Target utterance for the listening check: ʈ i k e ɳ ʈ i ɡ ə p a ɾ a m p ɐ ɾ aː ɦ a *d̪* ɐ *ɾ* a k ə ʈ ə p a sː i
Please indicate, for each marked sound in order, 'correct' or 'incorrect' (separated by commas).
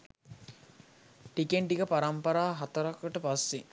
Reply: incorrect, correct